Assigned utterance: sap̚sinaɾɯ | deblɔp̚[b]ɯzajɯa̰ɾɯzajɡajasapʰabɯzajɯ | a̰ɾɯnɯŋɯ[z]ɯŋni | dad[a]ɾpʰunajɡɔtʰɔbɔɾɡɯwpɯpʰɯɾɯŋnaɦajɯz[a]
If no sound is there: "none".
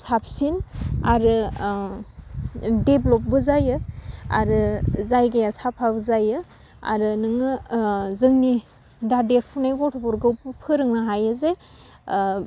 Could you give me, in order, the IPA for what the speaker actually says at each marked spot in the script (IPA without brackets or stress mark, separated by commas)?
b, z, e, e